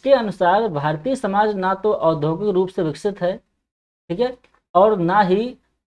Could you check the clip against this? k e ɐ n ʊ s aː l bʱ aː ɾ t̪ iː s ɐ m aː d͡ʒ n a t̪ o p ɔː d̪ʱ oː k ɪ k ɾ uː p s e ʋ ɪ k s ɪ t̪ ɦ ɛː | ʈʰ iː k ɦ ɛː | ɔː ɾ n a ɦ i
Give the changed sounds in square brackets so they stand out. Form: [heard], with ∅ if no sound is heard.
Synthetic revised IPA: k e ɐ n ʊ s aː [ɾ] bʱ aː ɾ t̪ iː s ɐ m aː d͡ʒ n a t̪ o [ʔ] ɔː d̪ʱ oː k ɪ k ɾ uː p s e ʋ ɪ k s ɪ t̪ ɦ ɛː | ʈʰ iː k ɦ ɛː | ɔː ɾ n a ɦ i